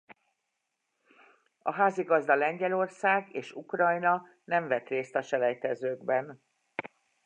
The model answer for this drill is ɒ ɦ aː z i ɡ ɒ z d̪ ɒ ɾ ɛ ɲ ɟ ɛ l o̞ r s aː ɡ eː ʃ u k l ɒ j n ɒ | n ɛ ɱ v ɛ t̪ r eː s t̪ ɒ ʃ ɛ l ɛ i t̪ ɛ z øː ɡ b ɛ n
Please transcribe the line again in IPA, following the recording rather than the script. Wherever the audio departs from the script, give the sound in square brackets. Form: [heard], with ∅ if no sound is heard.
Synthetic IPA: ɒ ɦ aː z i ɡ ɒ z d̪ ɒ [l] ɛ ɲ ɟ ɛ l o̞ r s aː ɡ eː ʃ u k [r] ɒ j n ɒ | n ɛ ɱ v ɛ t̪ r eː s t̪ ɒ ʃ ɛ l ɛ [j] t̪ ɛ z øː ɡ b ɛ n